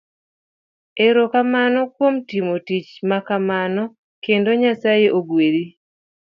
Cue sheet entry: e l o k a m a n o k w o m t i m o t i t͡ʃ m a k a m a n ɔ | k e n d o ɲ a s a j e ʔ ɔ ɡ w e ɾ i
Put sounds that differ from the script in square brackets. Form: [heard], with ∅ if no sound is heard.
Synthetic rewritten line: e [ɾ] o k a m a n [ɔ] k w o m t i m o t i t͡ʃ m a k a m a n ɔ | k e n d o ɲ a s a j e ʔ [o] ɡ w e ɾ i